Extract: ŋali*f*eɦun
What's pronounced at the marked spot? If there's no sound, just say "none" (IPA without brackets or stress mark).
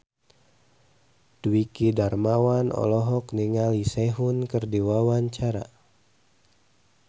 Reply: s